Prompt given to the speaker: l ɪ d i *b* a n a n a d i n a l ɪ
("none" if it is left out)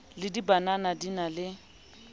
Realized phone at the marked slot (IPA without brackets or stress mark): b